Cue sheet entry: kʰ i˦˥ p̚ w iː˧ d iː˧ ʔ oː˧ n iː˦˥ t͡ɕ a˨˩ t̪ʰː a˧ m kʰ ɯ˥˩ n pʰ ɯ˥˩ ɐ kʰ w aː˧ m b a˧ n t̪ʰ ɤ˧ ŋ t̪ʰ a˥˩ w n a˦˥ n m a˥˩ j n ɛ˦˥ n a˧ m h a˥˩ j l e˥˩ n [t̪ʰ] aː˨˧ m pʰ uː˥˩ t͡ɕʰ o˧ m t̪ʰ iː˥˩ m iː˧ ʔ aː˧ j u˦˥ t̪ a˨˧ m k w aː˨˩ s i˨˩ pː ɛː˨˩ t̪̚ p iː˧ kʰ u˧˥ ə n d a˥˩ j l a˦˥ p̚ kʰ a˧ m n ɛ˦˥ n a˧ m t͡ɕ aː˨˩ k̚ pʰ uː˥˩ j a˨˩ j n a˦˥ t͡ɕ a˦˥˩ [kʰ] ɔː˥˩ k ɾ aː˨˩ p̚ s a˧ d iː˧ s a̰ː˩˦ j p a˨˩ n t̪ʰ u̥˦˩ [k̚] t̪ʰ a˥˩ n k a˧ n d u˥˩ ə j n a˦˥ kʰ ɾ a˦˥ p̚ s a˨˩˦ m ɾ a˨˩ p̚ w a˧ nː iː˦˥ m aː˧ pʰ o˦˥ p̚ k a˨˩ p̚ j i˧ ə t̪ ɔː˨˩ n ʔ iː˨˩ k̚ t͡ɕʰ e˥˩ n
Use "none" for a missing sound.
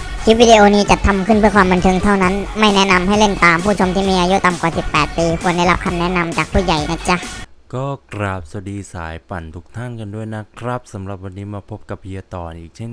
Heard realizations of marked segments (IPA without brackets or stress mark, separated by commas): t̪, k, k̚